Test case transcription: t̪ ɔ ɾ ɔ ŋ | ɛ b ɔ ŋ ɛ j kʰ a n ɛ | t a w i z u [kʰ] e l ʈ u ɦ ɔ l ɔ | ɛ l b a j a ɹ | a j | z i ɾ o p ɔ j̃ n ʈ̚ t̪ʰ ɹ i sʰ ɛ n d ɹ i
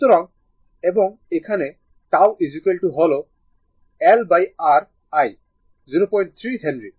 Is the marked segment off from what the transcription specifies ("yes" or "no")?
yes